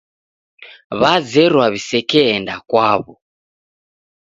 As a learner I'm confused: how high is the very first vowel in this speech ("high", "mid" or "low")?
low